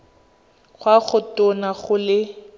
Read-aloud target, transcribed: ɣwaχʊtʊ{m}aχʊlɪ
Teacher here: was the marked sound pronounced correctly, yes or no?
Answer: no